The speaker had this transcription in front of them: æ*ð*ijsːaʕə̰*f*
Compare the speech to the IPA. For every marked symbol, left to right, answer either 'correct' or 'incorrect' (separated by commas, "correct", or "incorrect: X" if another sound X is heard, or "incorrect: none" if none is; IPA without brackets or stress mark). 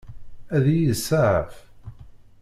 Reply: correct, correct